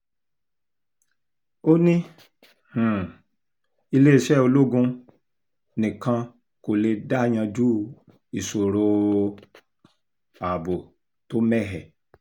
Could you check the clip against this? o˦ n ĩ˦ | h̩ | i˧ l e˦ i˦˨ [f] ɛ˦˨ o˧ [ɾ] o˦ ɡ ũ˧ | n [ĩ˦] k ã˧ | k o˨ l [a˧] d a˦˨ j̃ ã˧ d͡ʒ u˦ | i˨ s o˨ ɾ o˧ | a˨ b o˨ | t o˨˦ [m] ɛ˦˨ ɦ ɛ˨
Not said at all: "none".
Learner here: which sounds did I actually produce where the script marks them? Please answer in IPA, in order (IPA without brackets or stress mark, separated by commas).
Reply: ʃ, l, ĩ˨, e˧, m